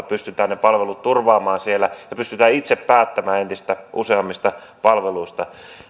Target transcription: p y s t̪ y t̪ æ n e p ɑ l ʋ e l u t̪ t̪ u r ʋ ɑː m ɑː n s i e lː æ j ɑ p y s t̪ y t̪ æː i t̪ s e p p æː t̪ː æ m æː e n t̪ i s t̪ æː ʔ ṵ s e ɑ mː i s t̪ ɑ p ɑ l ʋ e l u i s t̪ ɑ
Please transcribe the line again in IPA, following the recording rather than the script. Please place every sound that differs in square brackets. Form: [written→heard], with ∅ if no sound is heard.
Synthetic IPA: p y s t̪ y t̪ [æ→æː] n e p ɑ l ʋ e l u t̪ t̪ u r ʋ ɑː m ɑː n s i e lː æ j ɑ p y s t̪ y t̪ æː i t̪ s e p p æː t̪ː æ m æː e n t̪ i s t̪ [æː→æ] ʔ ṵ s e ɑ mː i s t̪ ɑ p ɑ l ʋ e l u i s t̪ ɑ